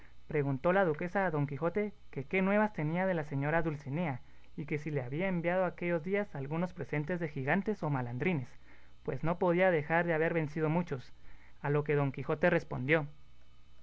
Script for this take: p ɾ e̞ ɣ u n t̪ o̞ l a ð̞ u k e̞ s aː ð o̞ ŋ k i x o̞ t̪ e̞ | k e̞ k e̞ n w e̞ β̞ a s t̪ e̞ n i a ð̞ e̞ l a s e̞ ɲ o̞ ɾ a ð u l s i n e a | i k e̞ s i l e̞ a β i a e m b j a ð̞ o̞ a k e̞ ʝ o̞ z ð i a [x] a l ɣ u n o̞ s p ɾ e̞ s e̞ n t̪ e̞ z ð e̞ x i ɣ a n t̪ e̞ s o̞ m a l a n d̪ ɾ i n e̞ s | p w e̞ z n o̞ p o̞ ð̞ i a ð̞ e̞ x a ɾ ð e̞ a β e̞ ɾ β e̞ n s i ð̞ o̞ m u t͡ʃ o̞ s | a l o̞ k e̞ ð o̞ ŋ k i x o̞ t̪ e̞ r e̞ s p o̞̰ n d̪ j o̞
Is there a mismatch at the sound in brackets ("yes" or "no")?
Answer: yes